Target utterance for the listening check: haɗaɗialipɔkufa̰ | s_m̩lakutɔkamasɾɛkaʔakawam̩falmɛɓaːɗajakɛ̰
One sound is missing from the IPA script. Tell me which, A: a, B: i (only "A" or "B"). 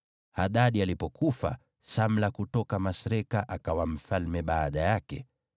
A